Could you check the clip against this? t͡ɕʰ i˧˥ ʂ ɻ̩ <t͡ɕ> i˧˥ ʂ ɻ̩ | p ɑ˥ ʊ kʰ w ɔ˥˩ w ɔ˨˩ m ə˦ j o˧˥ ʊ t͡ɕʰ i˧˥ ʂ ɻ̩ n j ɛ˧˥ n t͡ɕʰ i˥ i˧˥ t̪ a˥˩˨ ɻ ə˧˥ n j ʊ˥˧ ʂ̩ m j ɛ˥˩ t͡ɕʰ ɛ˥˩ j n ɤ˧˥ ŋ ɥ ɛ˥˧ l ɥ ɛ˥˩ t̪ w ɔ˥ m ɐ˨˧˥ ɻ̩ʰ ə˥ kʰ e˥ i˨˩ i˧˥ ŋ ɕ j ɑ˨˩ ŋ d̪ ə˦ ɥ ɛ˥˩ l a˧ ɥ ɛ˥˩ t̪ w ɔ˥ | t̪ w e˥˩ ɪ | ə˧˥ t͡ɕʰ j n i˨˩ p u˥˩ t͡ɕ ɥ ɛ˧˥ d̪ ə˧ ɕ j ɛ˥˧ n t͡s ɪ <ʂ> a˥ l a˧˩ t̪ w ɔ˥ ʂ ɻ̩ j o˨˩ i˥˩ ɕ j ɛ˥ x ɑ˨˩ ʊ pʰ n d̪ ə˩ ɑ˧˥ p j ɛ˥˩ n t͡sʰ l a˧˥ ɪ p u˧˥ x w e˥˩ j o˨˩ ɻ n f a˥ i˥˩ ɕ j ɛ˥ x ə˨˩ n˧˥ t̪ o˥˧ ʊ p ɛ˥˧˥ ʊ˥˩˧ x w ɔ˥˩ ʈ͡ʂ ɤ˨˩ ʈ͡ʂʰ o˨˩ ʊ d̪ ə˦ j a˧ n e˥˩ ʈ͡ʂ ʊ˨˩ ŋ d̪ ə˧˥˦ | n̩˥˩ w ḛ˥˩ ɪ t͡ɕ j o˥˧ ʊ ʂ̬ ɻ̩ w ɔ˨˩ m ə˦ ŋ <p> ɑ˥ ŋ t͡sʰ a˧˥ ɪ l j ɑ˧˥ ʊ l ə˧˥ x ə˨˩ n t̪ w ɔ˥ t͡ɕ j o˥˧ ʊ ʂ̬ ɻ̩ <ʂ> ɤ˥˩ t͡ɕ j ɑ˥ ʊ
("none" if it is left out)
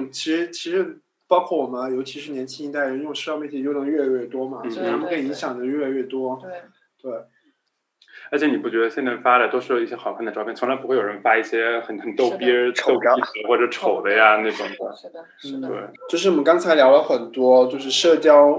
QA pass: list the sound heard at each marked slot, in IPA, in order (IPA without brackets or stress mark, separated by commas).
t͡ɕʰ, f, k, ʂ